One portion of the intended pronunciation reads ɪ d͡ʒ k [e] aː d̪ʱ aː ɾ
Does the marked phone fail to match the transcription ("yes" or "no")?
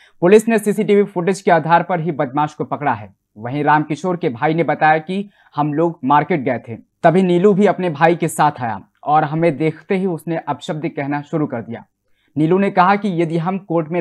no